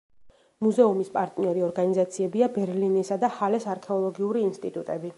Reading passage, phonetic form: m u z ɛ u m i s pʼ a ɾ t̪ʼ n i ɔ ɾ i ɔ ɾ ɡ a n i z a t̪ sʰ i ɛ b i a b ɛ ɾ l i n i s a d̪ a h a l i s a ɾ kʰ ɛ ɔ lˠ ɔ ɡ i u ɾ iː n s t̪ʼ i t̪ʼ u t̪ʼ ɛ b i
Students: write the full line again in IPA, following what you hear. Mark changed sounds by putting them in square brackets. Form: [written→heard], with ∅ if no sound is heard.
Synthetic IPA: m u z ɛ u m i s pʼ a ɾ t̪ʼ n i ɔ ɾ i ɔ ɾ ɡ a n i z a t̪ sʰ i ɛ b i a b ɛ ɾ l i n i s a d̪ a h a l [i→ɛ] s a ɾ kʰ ɛ ɔ lˠ ɔ ɡ i u ɾ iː n s t̪ʼ i t̪ʼ u t̪ʼ ɛ b i

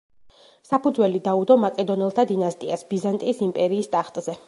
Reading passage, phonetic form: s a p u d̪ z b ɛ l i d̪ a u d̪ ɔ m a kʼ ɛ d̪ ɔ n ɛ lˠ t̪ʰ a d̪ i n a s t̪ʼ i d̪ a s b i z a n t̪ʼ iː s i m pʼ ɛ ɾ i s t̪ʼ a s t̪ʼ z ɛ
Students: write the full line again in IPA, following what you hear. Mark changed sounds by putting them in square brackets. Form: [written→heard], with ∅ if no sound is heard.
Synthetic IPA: s a p u d̪ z [b→w] ɛ l i d̪ a u d̪ ɔ m a kʼ ɛ d̪ ɔ n ɛ lˠ t̪ʰ a d̪ i n a s t̪ʼ i [d̪→∅] a s b i z a n t̪ʼ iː s i m pʼ ɛ ɾ [i→iː] s t̪ʼ a [s→χ] t̪ʼ z ɛ

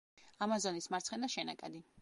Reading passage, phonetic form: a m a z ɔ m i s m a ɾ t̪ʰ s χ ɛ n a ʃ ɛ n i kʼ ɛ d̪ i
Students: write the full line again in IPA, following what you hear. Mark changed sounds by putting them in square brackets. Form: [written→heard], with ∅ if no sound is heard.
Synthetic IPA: a m a z ɔ [m→n] i s m a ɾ [t̪ʰ→t̪] s χ ɛ n a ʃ ɛ n [i→a] kʼ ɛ d̪ i

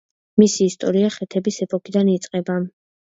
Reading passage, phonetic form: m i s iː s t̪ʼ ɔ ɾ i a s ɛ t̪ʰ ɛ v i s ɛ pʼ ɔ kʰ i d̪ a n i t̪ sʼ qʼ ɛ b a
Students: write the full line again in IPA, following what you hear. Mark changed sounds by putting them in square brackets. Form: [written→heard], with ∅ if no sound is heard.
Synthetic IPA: m i s iː s t̪ʼ ɔ ɾ i a [s→χ] ɛ t̪ʰ ɛ [v→b] i s ɛ pʼ ɔ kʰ i d̪ a n i t̪ sʼ qʼ ɛ b a

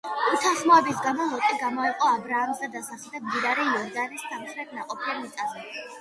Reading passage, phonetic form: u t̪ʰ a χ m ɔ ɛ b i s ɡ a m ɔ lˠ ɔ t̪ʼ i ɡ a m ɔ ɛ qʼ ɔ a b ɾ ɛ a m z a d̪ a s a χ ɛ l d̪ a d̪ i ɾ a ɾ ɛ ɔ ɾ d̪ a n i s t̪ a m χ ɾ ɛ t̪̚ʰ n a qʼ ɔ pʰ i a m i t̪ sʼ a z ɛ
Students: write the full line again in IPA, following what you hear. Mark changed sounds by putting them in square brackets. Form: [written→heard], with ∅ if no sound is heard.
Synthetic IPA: u t̪ʰ a χ m ɔ ɛ b i s ɡ a m ɔ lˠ ɔ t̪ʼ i ɡ a m ɔ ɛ qʼ ɔ a b ɾ [ɛ→a] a m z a d̪ a s a χ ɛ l d̪ a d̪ i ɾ a ɾ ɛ ɔ ɾ d̪ a n i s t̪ a m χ ɾ ɛ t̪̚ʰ n a qʼ ɔ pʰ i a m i t̪ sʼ a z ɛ

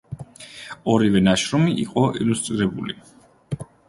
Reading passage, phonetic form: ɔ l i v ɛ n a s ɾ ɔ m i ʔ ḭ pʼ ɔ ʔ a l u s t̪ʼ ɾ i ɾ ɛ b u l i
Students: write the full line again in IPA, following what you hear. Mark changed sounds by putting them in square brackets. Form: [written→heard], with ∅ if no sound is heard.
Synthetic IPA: ɔ [l→ɾ] i v ɛ n a [s→ʃ] ɾ ɔ m i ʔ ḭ [pʼ→qʼ] ɔ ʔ [a→i] l u s t̪ʼ ɾ i ɾ ɛ b u l i

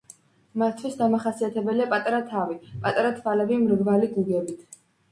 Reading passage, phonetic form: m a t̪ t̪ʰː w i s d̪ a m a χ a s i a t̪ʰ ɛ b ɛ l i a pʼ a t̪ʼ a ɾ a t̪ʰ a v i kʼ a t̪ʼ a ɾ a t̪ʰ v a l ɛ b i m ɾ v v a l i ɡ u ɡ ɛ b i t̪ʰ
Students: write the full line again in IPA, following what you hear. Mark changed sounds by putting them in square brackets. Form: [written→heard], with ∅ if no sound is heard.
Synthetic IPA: m a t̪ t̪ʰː w i s d̪ a m a χ a s i a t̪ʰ ɛ b ɛ l i a pʼ a t̪ʼ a ɾ a t̪ʰ a v i [kʼ→pʼ] a t̪ʼ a ɾ a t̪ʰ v a l ɛ b i m ɾ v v a l i ɡ u ɡ ɛ b i t̪ʰ

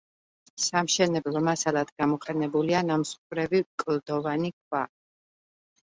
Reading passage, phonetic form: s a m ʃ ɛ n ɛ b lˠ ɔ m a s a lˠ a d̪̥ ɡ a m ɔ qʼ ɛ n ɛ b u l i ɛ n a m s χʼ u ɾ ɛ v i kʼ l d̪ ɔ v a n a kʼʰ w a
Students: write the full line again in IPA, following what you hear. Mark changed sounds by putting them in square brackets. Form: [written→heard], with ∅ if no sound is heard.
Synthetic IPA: s a m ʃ ɛ n ɛ b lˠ ɔ m a s a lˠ a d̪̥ ɡ a m ɔ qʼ ɛ n ɛ b u l i [ɛ→a] n a m s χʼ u ɾ ɛ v i kʼ l d̪ ɔ v a n [a→i] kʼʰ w a

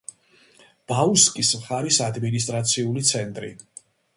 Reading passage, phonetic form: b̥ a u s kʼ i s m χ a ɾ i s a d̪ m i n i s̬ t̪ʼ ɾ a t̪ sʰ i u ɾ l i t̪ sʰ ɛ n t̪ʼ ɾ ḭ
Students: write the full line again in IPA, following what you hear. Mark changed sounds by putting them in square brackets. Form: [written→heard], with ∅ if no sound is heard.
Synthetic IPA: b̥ a u s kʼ i s m χ a ɾ i s a d̪ m i n i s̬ t̪ʼ ɾ a t̪ sʰ i u [ɾ→∅] l i t̪ sʰ ɛ n t̪ʼ ɾ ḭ

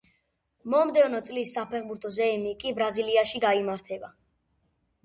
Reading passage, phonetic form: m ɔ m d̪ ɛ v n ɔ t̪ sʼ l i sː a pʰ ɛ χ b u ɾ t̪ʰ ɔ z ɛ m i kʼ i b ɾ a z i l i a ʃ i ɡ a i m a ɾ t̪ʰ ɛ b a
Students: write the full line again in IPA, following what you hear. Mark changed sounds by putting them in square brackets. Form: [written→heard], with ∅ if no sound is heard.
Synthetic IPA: m ɔ m d̪ ɛ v n ɔ t̪ sʼ l i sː a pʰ ɛ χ b u ɾ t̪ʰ ɔ z ɛ m i kʼ i b ɾ a z i l i a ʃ i ɡ a i m a ɾ t̪ʰ ɛ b a

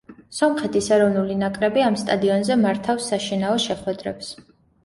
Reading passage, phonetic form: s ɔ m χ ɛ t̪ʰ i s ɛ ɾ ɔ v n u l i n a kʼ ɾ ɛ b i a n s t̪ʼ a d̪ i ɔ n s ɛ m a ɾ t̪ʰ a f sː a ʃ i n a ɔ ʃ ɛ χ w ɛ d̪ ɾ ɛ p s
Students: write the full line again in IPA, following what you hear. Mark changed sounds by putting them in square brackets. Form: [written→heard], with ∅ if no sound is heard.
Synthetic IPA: s ɔ m χ ɛ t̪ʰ i s ɛ ɾ ɔ v n u l i n a kʼ ɾ ɛ b i a [n→m] s t̪ʼ a d̪ i ɔ n [s→z] ɛ m a ɾ t̪ʰ a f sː a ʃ i n a ɔ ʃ ɛ χ w ɛ d̪ ɾ ɛ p s

